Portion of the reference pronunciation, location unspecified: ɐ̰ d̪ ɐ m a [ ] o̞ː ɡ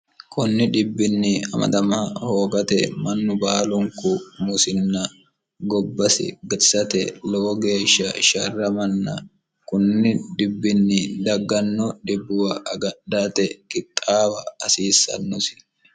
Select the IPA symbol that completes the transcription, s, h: h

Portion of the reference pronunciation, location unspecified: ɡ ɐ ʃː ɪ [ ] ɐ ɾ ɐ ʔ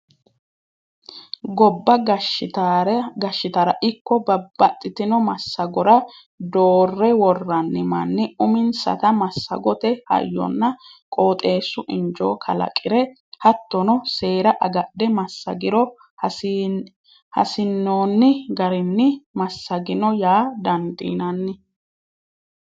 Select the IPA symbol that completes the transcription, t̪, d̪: t̪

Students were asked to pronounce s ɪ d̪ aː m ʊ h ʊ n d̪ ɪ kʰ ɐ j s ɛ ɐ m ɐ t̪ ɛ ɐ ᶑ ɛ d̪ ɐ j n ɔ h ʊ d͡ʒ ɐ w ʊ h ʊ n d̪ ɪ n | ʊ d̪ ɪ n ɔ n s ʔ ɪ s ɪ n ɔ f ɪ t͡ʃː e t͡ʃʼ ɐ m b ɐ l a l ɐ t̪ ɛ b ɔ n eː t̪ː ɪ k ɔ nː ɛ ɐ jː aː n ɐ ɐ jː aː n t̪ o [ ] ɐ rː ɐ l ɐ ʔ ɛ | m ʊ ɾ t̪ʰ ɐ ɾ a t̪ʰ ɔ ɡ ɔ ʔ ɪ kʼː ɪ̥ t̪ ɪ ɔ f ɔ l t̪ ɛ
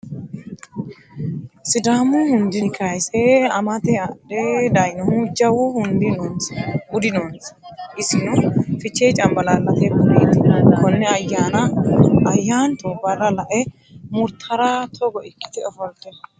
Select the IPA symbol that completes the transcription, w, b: b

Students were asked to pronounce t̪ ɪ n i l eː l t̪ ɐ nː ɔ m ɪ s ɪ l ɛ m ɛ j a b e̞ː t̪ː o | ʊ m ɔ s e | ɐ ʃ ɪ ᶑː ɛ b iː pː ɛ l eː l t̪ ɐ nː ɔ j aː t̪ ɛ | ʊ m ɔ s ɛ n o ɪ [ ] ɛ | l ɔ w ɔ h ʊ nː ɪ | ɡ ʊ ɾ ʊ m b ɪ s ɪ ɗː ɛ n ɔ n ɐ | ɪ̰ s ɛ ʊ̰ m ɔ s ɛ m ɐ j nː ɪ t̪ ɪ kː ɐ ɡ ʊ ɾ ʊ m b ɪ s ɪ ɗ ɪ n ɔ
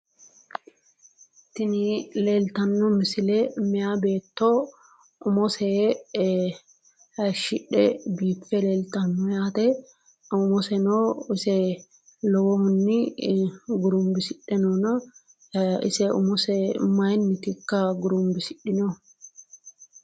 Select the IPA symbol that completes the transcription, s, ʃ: s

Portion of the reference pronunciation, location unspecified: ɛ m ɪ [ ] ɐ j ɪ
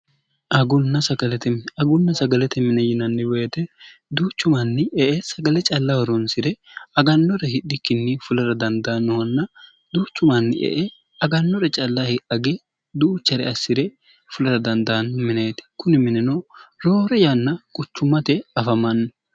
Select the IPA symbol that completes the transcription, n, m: n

